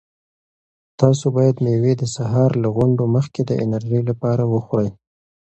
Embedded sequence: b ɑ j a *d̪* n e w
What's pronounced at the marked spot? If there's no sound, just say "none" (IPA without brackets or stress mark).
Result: d̪